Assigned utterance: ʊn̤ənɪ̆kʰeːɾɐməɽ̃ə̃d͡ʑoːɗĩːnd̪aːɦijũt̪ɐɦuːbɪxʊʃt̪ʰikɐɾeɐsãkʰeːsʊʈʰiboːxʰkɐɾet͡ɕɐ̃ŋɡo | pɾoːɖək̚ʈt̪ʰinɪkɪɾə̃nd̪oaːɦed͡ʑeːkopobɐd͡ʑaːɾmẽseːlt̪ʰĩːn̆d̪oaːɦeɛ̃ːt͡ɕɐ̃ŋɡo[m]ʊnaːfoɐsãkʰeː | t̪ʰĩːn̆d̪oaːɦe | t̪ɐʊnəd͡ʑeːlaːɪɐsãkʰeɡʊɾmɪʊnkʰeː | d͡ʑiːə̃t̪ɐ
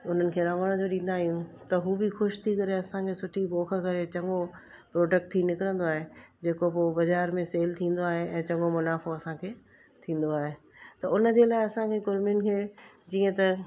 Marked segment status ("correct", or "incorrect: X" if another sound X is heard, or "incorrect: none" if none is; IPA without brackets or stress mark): correct